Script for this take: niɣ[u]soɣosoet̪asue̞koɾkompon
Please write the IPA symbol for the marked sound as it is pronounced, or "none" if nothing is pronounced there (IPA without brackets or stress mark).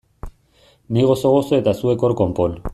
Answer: o